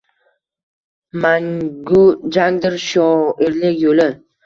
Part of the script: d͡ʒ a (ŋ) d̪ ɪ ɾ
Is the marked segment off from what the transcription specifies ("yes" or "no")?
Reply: no